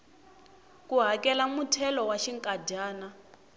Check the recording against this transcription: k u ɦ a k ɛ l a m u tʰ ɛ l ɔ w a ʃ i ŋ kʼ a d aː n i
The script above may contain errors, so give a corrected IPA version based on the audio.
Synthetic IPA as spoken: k u ɦ a k ɛ l a m u tʰ ɛ l ɔ w a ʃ i ŋ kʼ a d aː n a